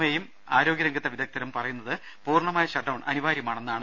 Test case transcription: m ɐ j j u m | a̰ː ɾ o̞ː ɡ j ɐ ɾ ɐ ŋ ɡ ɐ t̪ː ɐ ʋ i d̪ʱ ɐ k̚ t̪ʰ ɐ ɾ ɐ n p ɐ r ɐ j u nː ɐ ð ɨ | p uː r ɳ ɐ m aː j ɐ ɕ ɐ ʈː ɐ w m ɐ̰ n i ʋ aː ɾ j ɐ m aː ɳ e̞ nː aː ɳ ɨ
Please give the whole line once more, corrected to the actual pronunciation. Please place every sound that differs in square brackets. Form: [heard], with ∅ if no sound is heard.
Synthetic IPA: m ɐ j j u m | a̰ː ɾ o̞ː ɡ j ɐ ɾ ɐ ŋ ɡ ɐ t̪ː ɐ ʋ i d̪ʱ ɐ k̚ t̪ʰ ɐ ɾ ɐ [m] p ɐ r ɐ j u nː ɐ ð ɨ | p uː r ɳ ɐ m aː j ɐ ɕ ɐ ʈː ɐ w [ɳ] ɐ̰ n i ʋ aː ɾ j ɐ m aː ɳ e̞ nː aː ɳ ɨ